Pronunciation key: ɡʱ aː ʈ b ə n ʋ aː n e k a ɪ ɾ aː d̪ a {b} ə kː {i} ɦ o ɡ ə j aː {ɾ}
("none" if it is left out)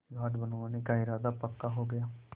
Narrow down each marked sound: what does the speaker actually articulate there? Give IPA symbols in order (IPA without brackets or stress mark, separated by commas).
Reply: p, a, none